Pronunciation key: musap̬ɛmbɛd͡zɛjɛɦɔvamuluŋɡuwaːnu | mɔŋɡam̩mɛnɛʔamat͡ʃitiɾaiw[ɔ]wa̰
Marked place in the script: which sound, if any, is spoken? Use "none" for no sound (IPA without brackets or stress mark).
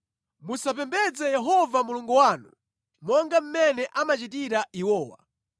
ɔː